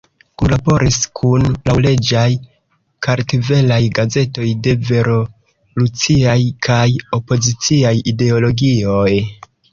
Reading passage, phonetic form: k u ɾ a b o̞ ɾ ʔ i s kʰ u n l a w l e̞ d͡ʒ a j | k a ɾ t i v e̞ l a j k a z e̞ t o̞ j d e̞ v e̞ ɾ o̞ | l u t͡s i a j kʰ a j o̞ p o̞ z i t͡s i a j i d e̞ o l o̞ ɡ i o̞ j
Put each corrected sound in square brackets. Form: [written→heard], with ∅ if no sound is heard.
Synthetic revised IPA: k u [ɾ→l] a b o̞ ɾ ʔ i s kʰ u n l a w l e̞ d͡ʒ a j | k a ɾ t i v e̞ l a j [k→ɡ] a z e̞ t o̞ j d e̞ v e̞ ɾ o̞ | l u t͡s i a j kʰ a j o̞ p o̞ z i t͡s i a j i d e̞ o l o̞ ɡ i o̞ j